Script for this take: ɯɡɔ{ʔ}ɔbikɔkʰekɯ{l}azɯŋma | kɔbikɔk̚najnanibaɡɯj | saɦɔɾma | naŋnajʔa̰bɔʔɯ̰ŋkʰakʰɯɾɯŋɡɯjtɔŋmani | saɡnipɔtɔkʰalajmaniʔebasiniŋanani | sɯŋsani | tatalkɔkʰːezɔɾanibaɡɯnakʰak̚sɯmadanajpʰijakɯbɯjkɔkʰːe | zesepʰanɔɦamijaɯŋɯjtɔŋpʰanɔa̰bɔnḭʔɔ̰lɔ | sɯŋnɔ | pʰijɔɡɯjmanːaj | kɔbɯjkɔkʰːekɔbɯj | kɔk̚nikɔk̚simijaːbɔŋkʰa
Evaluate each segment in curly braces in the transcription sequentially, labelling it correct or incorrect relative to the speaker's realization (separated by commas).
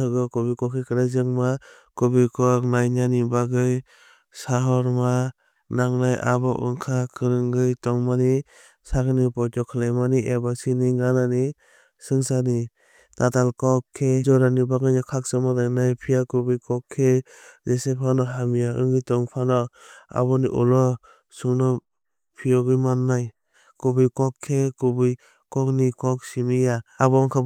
incorrect, incorrect